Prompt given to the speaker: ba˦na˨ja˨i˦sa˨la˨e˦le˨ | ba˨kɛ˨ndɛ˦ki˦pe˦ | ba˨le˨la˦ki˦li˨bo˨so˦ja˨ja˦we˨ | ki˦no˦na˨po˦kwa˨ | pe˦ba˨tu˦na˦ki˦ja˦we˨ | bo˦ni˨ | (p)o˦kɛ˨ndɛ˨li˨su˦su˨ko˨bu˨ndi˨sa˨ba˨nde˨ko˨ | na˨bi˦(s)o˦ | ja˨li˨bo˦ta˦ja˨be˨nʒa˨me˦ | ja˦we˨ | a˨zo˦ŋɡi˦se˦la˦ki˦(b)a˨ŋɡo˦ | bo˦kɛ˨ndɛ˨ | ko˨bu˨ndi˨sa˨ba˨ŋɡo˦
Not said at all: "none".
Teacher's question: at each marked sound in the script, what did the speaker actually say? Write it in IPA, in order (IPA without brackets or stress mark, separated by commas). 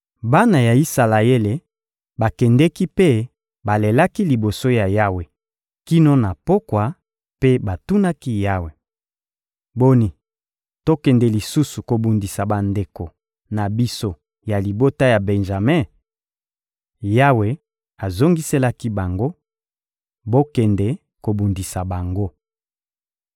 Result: t, s, b